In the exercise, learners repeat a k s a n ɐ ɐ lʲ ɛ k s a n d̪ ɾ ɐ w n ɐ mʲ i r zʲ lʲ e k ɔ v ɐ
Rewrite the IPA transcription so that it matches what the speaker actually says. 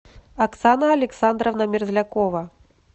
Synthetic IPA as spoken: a k s a n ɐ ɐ lʲ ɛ k s a n d̪ ɾ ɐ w n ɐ mʲ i r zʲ lʲ a k ɔ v ɐ